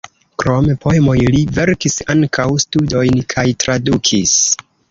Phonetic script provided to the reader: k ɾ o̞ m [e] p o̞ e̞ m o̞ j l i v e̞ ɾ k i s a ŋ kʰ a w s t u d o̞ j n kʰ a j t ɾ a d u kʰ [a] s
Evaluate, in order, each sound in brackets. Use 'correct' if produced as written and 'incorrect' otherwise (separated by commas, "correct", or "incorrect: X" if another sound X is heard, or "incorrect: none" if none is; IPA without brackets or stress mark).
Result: correct, incorrect: i